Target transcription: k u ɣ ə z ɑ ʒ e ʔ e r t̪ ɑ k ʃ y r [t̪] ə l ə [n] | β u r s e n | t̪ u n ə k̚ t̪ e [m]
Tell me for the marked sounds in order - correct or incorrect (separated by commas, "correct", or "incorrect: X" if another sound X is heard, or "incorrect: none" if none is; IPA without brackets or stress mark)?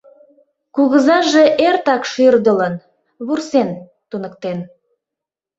incorrect: d̪, correct, incorrect: n